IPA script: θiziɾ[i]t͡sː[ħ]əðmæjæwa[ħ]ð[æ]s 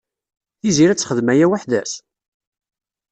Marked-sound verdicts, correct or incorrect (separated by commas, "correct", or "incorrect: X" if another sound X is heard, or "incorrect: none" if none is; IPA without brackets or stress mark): incorrect: æ, incorrect: χ, correct, correct